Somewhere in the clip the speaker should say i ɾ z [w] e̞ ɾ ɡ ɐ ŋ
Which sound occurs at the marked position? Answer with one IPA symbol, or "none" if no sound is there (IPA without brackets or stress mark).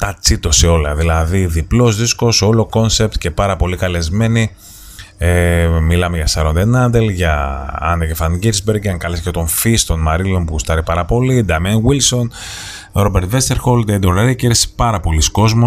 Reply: b